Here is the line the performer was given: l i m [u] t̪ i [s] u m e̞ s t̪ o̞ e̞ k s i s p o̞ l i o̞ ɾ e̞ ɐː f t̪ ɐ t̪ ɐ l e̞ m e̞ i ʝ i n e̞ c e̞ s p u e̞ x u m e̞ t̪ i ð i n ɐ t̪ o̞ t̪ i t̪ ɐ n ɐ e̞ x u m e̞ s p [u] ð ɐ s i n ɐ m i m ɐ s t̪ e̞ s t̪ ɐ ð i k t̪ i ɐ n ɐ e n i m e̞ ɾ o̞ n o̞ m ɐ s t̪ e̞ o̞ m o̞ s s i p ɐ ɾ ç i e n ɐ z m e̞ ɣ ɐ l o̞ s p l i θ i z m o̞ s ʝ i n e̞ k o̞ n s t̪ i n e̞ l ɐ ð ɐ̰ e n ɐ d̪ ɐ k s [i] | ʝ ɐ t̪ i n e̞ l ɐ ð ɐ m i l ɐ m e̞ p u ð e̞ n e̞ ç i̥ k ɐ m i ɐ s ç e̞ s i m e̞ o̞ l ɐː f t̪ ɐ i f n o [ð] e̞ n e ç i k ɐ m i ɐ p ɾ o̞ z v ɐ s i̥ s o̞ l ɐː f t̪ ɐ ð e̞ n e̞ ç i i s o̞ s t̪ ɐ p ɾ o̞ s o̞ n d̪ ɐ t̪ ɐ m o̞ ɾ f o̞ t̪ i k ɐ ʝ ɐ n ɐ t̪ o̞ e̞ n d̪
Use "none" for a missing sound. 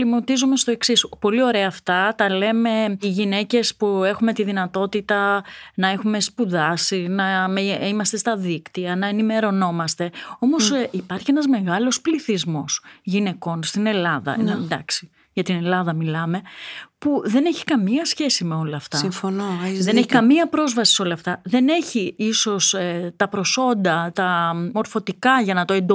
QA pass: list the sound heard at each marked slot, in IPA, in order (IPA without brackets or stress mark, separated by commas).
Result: o, z, u, i, ð